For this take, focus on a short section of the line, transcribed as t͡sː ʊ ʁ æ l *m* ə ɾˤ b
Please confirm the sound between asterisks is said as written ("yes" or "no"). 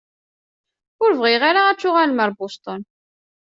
yes